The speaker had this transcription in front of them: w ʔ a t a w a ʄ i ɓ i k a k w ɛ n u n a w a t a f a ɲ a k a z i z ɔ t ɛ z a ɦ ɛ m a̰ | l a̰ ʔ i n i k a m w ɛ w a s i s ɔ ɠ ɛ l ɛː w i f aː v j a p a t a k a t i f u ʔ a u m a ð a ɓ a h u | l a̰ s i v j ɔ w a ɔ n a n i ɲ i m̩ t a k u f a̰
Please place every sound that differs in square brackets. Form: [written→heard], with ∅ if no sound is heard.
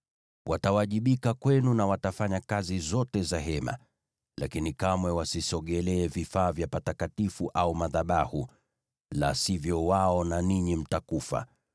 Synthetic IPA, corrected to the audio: w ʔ a t a w a ʄ i ɓ i k a k w ɛ n u n a w a t a f a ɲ a k a z i z ɔ t ɛ z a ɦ ɛ m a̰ | l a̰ [ʔ→k] i n i k a m w ɛ w a s i s ɔ ɠ ɛ l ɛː [w→v] i f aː v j a p a t a k a t i f u ʔ a u m a ð a ɓ a h u | l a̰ s i v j ɔ w a ɔ n a n i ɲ i m̩ t a k u f a̰